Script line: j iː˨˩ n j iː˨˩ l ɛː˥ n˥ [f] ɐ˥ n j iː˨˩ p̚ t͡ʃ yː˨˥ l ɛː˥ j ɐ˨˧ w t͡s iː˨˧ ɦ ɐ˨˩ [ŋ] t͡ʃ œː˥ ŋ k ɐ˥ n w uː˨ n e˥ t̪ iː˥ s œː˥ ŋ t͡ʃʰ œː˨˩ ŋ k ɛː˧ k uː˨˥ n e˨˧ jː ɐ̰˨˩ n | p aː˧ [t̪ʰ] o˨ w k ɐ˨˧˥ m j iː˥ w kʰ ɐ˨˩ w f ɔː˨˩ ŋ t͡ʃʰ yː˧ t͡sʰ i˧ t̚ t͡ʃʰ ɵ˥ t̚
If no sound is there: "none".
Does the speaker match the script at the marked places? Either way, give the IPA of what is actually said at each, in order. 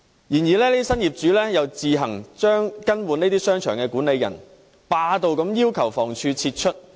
s, ŋ, t̪

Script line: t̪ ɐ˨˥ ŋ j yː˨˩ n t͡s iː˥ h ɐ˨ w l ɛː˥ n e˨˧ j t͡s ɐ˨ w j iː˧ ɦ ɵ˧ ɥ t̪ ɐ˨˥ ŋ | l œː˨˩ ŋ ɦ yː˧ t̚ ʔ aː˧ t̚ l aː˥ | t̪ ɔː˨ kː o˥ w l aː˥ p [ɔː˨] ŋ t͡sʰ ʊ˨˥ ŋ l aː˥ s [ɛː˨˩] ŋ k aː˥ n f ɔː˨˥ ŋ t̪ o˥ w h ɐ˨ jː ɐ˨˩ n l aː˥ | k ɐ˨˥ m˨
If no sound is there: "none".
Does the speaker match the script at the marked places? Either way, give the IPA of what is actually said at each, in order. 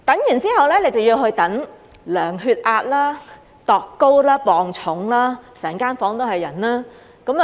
ɔː˨, ɛː˨˩

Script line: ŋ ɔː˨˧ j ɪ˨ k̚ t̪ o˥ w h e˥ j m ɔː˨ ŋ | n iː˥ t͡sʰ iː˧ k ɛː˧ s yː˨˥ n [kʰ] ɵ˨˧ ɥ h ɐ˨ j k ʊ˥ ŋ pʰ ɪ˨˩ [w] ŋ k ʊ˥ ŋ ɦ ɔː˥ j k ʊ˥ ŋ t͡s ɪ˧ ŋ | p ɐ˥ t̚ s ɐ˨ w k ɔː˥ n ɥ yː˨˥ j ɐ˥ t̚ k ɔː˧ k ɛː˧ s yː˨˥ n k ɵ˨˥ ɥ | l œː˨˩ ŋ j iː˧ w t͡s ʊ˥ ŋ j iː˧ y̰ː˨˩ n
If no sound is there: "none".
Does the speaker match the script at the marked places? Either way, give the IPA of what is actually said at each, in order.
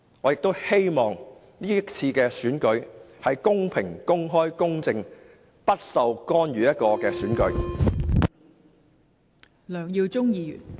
k, none

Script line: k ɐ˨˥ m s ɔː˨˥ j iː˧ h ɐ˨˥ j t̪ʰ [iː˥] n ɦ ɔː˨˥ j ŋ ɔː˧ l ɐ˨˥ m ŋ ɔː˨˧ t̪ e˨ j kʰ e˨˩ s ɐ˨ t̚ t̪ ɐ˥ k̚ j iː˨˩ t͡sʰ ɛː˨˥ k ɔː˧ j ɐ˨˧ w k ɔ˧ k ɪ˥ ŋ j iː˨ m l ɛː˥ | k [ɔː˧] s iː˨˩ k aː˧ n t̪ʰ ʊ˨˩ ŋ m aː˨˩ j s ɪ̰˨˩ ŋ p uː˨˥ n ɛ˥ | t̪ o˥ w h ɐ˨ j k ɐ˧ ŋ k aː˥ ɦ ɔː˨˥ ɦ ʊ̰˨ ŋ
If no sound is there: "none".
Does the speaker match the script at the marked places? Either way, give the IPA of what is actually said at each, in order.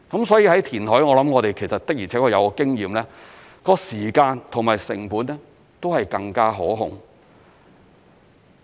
iː˨˩, ɔː˧

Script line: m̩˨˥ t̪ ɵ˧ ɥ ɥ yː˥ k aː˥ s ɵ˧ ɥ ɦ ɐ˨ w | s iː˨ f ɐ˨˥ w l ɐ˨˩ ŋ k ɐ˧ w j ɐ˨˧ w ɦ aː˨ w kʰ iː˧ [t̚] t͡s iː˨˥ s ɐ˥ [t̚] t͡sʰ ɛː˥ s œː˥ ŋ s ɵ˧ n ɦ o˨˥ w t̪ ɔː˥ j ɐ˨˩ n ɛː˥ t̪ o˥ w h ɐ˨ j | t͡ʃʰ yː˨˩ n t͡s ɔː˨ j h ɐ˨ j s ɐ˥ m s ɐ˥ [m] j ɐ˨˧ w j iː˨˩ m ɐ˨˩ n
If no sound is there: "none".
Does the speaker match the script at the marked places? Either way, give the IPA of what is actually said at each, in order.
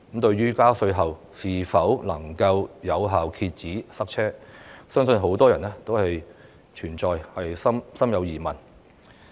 t̚, k̚, m

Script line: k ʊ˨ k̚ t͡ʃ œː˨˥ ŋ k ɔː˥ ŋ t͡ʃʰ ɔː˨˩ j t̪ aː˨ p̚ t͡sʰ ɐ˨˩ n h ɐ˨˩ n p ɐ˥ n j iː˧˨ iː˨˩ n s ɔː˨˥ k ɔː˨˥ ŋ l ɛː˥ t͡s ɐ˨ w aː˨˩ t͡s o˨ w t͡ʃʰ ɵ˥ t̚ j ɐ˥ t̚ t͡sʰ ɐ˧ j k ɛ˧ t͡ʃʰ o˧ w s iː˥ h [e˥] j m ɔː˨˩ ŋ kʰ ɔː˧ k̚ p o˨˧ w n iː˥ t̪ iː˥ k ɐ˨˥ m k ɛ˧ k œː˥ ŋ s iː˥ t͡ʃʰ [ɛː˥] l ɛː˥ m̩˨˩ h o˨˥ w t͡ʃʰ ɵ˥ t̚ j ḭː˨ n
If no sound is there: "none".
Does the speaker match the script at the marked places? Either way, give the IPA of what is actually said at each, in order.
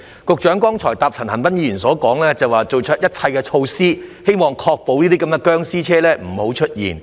e˥, ɛː˥

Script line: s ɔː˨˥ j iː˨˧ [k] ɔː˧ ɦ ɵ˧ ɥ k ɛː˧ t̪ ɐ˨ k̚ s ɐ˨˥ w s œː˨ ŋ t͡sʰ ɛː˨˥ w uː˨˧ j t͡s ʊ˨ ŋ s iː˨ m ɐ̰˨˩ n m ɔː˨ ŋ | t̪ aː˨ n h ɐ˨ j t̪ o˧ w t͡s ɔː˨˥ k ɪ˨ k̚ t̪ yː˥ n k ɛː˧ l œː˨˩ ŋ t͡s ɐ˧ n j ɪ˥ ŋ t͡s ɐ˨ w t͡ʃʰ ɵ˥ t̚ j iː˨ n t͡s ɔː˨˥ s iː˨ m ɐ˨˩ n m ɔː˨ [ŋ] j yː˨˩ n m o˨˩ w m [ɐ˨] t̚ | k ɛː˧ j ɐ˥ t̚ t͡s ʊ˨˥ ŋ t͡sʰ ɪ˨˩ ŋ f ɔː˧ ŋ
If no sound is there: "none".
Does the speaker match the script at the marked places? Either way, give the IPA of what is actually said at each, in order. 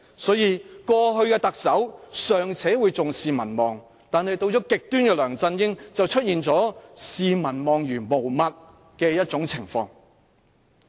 k, ŋ, ɐ˨

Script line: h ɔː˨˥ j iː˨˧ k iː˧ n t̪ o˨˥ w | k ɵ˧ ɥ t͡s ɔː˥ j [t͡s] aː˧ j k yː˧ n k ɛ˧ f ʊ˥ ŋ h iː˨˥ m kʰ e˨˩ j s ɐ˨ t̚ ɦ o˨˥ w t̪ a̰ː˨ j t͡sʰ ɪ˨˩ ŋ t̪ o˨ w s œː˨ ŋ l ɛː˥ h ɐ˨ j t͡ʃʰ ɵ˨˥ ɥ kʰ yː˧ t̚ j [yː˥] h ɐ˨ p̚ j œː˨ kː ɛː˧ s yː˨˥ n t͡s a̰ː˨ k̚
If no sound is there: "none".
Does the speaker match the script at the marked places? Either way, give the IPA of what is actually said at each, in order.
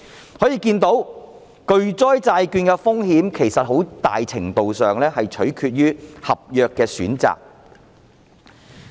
t͡s, yː˥

